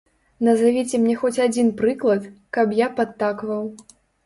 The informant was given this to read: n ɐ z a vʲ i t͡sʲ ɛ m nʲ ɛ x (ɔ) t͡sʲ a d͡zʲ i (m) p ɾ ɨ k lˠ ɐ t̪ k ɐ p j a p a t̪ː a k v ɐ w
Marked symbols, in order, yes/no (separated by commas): yes, no